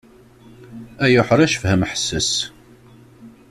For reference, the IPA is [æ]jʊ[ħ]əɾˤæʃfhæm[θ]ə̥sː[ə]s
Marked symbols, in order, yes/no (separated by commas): yes, yes, no, yes